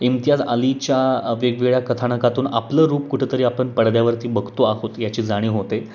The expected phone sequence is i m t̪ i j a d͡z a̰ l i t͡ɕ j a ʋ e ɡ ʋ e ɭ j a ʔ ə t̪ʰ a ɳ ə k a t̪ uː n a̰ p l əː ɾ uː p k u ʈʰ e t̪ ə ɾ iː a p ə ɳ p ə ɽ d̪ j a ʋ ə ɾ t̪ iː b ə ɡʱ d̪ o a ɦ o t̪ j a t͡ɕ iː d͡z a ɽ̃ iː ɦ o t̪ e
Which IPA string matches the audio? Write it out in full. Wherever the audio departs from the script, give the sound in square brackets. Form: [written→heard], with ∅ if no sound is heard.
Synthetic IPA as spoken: i m t̪ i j a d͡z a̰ l i t͡ɕ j a ʋ e ɡ ʋ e ɭ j a [ʔ→k] ə t̪ʰ a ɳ ə k a t̪ uː n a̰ p l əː ɾ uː p k u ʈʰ e t̪ ə ɾ iː a p ə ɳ p ə ɽ d̪ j a ʋ ə ɾ t̪ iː b ə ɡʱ [d̪→t̪] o a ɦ o t̪ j a t͡ɕ iː d͡z a ɽ̃ iː ɦ o t̪ e